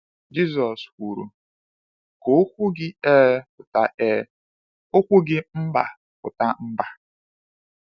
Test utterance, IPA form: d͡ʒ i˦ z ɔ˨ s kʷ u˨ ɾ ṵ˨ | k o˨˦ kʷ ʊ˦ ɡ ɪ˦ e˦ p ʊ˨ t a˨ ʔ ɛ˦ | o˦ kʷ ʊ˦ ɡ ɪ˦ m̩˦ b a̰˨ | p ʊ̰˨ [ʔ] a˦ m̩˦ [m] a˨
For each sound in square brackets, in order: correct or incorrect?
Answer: incorrect, incorrect

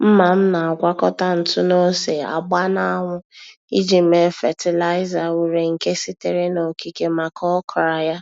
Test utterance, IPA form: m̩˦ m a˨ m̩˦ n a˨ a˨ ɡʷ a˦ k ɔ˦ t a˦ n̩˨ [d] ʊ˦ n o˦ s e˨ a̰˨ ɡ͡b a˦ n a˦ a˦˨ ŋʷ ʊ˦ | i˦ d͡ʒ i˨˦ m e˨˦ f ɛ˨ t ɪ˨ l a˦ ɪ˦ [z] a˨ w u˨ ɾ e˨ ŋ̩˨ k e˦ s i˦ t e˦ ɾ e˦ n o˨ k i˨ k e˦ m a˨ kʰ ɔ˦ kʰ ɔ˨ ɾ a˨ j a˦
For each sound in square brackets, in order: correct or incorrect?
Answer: incorrect, correct

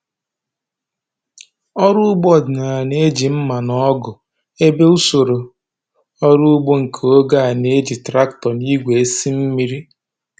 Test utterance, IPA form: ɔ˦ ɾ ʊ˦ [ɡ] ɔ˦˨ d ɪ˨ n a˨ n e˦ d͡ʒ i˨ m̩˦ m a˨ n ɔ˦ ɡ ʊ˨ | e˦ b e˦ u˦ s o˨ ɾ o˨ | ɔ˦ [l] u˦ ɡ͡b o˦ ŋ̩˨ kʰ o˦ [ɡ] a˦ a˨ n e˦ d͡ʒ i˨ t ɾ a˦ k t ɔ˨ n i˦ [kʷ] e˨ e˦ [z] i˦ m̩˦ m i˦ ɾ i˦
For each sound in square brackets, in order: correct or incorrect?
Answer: incorrect, incorrect, correct, incorrect, incorrect

